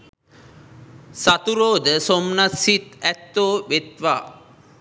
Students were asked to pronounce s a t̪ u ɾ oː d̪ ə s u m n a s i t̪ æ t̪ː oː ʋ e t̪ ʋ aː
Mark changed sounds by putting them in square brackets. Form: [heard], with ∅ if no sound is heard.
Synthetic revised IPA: s a t̪ u ɾ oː d̪ ə s [o] m n a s i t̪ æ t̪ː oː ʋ e t̪ ʋ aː